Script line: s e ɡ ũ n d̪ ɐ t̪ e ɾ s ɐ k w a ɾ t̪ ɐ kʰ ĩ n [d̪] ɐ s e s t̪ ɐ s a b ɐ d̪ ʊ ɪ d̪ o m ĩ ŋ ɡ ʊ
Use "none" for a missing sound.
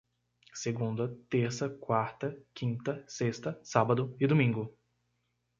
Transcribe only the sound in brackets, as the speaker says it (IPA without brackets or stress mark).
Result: t̪